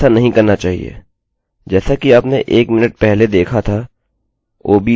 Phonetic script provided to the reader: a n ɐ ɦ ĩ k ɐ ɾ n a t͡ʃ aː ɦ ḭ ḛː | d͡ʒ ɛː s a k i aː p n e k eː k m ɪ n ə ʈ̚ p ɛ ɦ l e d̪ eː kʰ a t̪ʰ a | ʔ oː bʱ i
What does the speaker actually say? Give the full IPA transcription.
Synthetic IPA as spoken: a n ɐ ɦ ĩ k ɐ ɾ n a t͡ʃ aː ɦ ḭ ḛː | d͡ʒ ɛː s a k i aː p n e ʔ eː k m ɪ n ə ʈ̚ p ɛ ɦ l e d̪ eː kʰ a t̪ʰ a | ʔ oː bʱ i

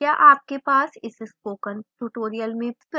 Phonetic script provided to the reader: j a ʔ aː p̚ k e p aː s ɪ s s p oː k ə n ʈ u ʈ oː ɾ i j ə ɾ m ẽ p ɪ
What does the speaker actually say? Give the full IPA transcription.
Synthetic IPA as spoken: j a ʔ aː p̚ k e p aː s ɪ s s p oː k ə n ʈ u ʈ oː ɾ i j ə l m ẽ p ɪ

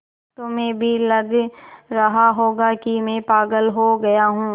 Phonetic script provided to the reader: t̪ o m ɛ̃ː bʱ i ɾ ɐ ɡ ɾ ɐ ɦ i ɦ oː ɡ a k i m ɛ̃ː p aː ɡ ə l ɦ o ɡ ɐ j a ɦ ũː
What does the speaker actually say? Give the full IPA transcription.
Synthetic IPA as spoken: t̪ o m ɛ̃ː bʱ i l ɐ ɡ ɾ ɐ ɦ a ɦ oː ɡ a k i m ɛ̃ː p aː ɡ ə l ɦ o ɡ ɐ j a ɦ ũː

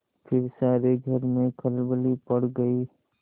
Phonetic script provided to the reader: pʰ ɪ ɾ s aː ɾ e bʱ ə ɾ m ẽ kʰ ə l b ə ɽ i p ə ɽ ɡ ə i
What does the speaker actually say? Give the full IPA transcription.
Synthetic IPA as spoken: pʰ ɪ ɾ s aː ɾ e ɡʱ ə ɾ m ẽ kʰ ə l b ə l i p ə ɽ ɡ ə i

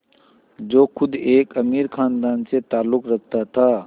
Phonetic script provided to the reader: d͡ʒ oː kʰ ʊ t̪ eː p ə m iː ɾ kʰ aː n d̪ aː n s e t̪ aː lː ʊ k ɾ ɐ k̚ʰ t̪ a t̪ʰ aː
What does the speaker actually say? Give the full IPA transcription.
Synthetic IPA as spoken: d͡ʒ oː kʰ ʊ d̪ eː k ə m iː ɾ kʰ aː n d̪ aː n s e t̪ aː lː ʊ k ɾ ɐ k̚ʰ t̪ a t̪ʰ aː

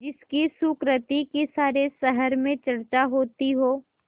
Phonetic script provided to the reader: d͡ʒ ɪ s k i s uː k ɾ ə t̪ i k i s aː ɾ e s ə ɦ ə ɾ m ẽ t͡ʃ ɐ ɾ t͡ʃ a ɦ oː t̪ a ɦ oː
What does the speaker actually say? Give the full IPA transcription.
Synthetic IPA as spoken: d͡ʒ ɪ s k i s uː k ɾ ə t̪ i k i s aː ɾ e s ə ɦ ə ɾ m ẽ t͡ʃ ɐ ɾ t͡ʃ a ɦ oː t̪ i ɦ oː

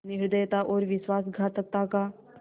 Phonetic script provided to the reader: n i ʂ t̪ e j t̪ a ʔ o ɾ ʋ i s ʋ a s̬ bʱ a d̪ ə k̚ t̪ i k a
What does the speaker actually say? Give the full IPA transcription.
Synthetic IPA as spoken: n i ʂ d̪ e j t̪ a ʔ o ɾ ʋ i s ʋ a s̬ ɡʱ a t̪ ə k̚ t̪ a k a

